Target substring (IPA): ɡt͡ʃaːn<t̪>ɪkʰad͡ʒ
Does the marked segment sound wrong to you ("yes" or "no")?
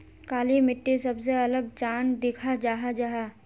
yes